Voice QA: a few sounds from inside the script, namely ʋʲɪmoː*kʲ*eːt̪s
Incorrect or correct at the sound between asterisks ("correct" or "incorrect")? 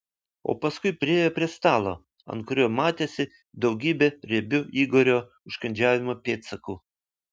incorrect